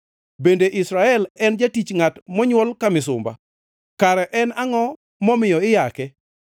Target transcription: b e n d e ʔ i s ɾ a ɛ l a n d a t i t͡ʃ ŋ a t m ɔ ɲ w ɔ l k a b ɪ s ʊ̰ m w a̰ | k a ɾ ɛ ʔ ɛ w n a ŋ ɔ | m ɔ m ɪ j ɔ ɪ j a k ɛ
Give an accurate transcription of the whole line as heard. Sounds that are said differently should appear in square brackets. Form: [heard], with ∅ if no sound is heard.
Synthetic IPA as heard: b e n d e ʔ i s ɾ a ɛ l [ɛ] n [d͡ʒ] a t i t͡ʃ ŋ a t m ɔ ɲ w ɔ l k a [m] ɪ s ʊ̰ m [b] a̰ | k a ɾ ɛ ʔ ɛ [∅] n a ŋ ɔ | m ɔ m ɪ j ɔ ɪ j a k ɛ